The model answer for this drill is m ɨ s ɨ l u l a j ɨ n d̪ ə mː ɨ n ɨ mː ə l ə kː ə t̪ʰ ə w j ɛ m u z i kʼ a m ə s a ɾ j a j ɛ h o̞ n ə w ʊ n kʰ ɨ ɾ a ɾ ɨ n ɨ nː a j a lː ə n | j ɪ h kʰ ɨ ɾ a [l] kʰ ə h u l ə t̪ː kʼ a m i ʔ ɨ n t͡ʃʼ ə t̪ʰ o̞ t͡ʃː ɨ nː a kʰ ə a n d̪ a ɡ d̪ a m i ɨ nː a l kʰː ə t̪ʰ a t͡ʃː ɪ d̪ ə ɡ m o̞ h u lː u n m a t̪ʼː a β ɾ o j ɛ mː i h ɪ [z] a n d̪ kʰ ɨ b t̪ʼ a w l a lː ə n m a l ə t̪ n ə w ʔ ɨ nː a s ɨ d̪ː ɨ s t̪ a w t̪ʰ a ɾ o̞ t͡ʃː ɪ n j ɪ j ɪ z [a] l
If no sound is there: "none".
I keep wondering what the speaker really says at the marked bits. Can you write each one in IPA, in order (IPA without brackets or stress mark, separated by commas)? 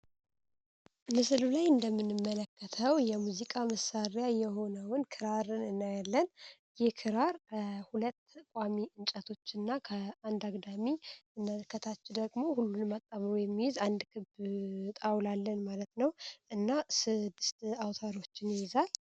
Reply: ɾ, z, a